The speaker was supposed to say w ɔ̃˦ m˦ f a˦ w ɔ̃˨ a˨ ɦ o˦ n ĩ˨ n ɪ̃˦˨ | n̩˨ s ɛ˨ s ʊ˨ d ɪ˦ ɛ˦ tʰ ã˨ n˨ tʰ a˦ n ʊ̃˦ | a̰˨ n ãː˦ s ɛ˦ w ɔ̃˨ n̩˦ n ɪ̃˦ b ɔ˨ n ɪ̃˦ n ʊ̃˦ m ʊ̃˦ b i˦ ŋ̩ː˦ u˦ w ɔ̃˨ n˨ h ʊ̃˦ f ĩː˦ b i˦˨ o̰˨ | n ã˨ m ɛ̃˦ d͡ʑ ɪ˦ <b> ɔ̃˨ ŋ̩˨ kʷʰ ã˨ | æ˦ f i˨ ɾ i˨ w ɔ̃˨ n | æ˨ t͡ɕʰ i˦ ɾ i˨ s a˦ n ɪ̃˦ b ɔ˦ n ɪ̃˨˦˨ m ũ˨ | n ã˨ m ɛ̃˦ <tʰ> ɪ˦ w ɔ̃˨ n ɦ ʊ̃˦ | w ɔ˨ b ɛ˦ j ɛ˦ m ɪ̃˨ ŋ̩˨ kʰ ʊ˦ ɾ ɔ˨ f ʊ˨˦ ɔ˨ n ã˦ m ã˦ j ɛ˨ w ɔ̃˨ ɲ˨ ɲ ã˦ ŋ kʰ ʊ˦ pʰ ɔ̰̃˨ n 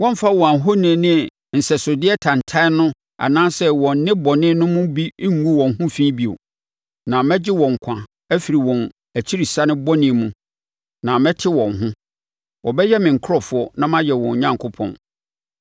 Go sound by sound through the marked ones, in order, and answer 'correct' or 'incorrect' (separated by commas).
incorrect, correct